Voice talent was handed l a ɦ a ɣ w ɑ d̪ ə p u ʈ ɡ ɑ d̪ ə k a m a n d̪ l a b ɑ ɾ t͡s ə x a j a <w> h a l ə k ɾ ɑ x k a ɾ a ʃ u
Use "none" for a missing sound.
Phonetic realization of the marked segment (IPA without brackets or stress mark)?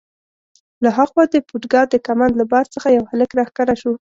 w